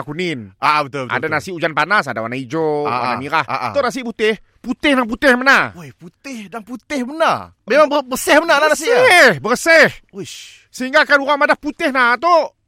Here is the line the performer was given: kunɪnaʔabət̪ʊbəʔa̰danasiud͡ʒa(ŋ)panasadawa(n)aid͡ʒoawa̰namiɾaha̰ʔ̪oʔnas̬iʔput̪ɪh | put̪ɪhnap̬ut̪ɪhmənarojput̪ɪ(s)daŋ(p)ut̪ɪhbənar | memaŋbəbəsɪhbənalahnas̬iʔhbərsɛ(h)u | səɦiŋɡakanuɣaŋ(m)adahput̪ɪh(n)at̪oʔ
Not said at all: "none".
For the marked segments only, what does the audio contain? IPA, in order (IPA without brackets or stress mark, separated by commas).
n, n, h, p, h, m, n